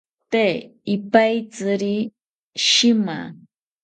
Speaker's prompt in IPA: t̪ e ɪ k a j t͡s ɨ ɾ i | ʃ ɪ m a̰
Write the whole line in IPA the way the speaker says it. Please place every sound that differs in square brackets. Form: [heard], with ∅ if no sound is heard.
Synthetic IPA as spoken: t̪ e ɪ [p] a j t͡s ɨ ɾ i | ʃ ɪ m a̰